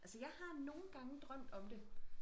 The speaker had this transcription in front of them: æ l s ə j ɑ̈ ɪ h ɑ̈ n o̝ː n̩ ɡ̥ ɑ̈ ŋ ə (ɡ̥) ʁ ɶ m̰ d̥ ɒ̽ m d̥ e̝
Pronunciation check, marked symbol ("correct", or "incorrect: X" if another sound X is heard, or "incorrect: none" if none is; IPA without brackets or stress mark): incorrect: d̥